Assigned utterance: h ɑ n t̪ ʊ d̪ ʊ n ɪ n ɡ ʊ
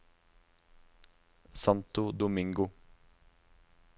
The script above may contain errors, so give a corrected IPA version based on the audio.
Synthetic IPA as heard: s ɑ n t̪ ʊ d̪ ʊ m ɪ ŋ ɡ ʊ